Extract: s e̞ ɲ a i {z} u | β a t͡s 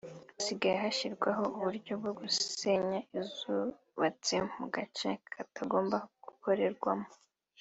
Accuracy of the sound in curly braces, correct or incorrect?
correct